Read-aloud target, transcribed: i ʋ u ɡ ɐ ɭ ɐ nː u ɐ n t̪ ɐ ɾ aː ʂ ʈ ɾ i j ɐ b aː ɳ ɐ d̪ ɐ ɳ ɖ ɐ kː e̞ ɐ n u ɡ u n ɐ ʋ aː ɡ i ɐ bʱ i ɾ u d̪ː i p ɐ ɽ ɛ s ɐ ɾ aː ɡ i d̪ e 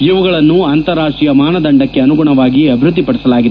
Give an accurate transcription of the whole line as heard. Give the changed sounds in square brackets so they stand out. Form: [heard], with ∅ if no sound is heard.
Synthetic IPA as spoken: i ʋ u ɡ ɐ ɭ ɐ nː u ɐ n t̪ ɐ ɾ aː ʂ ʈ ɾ i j ɐ [m] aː [n] ɐ d̪ ɐ ɳ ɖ ɐ kː e̞ ɐ n u ɡ u [ɳ] ɐ ʋ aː ɡ i ɐ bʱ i ɾ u d̪ː i p ɐ ɽ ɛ s ɐ [l] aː ɡ i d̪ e